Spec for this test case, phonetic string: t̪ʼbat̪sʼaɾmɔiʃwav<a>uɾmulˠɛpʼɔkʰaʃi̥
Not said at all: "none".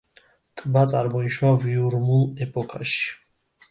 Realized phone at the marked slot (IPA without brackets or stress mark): i